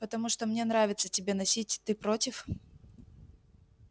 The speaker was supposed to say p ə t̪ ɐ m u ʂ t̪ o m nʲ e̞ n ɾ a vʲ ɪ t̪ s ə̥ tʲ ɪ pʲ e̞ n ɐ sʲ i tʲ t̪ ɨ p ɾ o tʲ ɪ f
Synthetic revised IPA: p ə t̪ ɐ m u ʂ t̪ o m nʲ e̞ n ɾ a vʲ ɪ t̪ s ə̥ tʲ ɪ bʲ e̞ n ɐ sʲ i tʲ t̪ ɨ p ɾ o tʲ ɪ f